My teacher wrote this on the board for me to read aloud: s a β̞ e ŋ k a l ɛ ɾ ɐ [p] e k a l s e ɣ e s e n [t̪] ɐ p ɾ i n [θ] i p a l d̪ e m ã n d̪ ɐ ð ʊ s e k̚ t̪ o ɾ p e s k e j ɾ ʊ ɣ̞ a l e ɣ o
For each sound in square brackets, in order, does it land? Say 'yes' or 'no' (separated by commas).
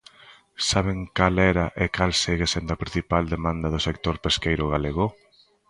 no, no, yes